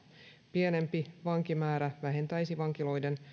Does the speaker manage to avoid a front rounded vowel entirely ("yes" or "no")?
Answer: yes